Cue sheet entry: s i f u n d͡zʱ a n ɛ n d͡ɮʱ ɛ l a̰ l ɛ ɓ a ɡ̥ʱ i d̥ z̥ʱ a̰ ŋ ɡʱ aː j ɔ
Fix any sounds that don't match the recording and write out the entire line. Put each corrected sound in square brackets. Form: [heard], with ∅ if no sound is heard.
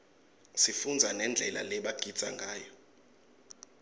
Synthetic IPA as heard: s i f u n d͡zʱ a n ɛ n d͡ɮʱ ɛ l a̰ l ɛ ɓ a ɡ̥ʱ i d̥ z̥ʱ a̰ ŋ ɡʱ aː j ɔ